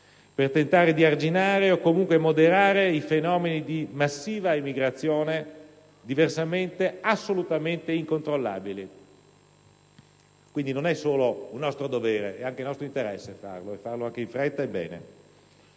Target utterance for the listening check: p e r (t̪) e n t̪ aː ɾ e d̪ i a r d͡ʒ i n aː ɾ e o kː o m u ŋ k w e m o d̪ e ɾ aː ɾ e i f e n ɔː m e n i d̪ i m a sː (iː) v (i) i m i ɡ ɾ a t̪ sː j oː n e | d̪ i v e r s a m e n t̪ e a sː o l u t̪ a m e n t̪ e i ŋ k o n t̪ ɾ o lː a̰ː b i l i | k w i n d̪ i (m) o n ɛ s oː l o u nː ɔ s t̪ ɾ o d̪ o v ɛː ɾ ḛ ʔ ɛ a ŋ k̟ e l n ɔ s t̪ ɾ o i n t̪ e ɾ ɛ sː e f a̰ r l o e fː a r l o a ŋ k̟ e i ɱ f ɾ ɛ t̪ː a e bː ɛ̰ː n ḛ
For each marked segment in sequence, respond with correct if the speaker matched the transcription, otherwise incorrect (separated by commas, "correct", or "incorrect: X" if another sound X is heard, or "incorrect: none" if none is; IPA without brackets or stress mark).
correct, correct, incorrect: a, incorrect: n